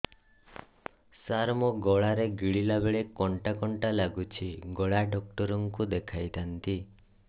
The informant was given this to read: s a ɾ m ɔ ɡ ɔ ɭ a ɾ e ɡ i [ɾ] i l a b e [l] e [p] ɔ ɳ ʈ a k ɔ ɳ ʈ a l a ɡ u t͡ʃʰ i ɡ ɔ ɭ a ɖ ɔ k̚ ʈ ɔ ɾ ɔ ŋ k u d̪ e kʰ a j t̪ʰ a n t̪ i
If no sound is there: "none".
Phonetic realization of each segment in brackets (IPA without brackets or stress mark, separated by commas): ɭ, ɭ, k